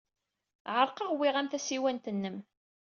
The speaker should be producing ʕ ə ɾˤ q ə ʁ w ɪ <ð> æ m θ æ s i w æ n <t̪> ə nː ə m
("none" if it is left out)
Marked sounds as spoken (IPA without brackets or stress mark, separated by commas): ʁ, t̪